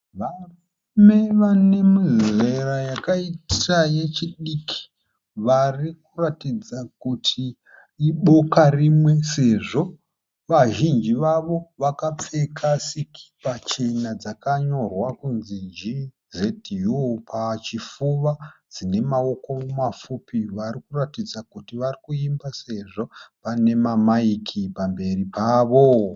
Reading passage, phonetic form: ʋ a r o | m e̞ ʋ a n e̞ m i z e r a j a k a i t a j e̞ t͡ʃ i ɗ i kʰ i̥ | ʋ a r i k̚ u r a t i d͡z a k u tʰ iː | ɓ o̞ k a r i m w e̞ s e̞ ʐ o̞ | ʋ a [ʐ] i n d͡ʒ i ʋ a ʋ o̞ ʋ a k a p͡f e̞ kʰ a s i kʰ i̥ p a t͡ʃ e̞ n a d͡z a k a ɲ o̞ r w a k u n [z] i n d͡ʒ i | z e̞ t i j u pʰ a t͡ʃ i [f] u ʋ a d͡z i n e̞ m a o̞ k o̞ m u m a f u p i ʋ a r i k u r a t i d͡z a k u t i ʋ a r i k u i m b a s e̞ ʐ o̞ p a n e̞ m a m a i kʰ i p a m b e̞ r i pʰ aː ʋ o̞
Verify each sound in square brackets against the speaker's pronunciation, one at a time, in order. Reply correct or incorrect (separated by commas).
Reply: incorrect, correct, correct